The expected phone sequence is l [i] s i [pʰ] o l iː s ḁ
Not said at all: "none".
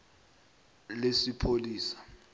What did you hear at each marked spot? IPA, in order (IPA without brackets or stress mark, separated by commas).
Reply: e, pʰ